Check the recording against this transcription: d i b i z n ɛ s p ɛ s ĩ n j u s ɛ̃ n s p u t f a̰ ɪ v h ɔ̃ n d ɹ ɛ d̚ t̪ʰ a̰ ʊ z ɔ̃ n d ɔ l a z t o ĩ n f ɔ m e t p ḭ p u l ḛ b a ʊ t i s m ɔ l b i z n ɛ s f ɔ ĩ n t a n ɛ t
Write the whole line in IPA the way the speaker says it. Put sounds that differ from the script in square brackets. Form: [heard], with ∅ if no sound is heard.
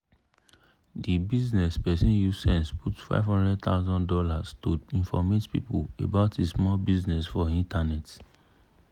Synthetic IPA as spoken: d i b i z n ɛ s p ɛ s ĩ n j u s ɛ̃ n s p u t f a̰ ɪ v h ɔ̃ n d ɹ ɛ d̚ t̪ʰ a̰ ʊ z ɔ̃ n d ɔ l a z t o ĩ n f ɔ m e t p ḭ p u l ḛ b a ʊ t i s m ɔ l b i z n ɛ s f ɔ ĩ n t a n ɛ t